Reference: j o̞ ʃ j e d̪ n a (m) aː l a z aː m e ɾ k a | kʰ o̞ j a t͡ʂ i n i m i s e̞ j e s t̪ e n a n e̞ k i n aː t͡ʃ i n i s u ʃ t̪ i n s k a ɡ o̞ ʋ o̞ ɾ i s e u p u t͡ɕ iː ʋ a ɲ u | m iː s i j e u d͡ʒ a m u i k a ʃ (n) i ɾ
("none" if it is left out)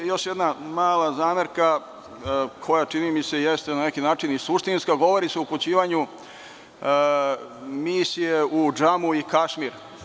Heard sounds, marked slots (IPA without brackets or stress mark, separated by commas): m, m